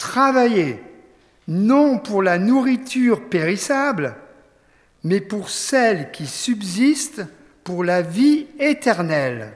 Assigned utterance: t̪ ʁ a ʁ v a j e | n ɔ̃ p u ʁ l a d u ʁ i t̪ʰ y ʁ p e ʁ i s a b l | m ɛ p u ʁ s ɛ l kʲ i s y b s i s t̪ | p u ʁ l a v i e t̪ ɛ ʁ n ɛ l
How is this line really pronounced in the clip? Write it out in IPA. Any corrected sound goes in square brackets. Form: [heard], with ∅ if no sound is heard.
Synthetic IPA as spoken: t̪ [χ] a [∅] v a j e | n ɔ̃ p u ʁ l a [n] u ʁ i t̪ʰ y ʁ p e ʁ i s a b l | m ɛ p u ʁ s ɛ l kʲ i s y b [z] i s t̪ | p u ʁ l a v i e t̪ ɛ ʁ n ɛ l